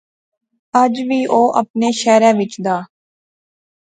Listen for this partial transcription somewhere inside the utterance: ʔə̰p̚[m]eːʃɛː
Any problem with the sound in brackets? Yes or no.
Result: yes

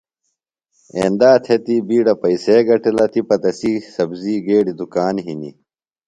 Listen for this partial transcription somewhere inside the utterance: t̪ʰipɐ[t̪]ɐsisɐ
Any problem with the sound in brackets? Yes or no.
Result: no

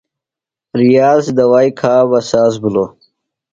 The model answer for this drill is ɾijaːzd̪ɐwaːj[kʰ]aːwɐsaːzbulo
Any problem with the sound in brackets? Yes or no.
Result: no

